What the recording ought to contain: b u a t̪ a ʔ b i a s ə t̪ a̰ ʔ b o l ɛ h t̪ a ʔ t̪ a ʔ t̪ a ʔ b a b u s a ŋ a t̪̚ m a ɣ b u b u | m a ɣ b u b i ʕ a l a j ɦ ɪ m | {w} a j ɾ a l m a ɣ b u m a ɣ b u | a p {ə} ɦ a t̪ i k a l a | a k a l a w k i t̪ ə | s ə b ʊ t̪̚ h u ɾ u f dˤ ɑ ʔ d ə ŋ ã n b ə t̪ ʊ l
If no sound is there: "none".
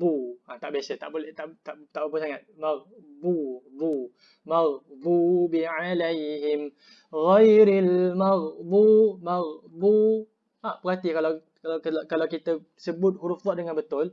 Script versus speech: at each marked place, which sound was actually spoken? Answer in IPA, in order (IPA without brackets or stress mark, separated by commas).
ɣ, ə